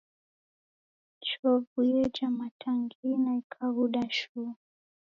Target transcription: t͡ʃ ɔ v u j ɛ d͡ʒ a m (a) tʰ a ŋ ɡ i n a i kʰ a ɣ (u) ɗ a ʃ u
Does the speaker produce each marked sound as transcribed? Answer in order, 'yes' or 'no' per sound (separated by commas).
yes, yes